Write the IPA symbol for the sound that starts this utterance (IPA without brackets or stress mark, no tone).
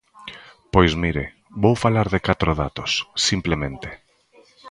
p